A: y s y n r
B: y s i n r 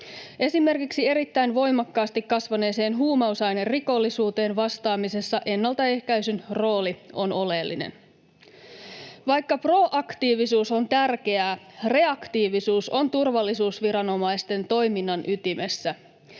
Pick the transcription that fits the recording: A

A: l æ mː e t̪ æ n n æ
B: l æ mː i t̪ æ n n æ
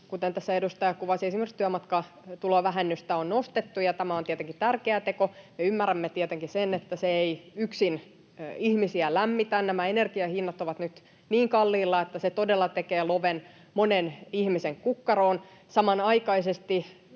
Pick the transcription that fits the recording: B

